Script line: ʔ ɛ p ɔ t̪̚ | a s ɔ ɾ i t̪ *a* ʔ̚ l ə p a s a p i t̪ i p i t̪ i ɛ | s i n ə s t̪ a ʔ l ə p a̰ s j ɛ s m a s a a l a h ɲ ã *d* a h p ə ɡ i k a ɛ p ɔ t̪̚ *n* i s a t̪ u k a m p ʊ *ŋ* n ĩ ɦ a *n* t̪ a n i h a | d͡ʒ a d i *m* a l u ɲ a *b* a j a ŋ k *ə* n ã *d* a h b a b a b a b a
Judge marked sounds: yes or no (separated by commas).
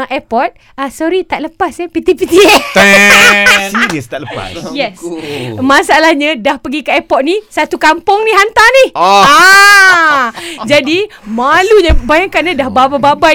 yes, yes, yes, yes, yes, yes, yes, no, yes